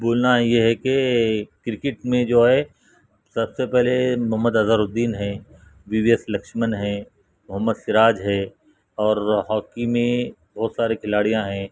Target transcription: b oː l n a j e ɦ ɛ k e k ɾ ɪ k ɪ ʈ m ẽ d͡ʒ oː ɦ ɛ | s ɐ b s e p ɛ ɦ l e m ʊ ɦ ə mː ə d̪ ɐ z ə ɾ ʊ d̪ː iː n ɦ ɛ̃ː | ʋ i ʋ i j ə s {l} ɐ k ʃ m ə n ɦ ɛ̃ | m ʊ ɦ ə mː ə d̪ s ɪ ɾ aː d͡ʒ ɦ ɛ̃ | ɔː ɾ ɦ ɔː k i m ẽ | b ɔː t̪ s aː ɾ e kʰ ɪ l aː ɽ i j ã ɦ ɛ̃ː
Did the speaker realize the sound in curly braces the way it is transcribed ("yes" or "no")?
yes